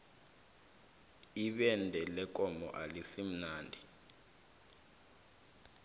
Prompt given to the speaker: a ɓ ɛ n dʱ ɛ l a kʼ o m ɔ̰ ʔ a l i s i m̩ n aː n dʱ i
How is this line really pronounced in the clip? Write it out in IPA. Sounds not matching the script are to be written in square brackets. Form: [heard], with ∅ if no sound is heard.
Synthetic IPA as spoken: [i] ɓ ɛ n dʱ ɛ l [ɛ] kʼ [ɔ] m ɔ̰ ʔ a l i s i m̩ n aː n dʱ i